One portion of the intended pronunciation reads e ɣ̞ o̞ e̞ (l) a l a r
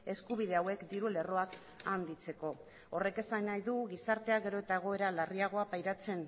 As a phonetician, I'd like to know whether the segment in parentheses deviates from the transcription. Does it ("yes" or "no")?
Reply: yes